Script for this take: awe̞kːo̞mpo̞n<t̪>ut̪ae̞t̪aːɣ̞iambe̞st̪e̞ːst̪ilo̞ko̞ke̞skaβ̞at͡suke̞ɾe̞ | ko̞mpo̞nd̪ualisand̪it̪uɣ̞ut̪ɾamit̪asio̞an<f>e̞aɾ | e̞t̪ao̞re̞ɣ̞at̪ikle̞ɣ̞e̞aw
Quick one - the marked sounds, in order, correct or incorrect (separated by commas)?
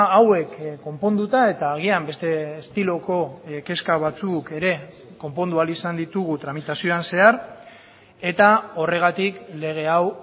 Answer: incorrect, incorrect